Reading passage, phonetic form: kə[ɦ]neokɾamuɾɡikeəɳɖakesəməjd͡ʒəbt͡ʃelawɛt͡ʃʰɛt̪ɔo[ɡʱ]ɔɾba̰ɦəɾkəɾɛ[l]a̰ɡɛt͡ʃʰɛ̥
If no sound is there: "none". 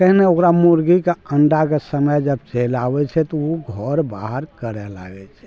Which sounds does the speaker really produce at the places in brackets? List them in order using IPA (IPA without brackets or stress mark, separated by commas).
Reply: ɦ, ɡʱ, l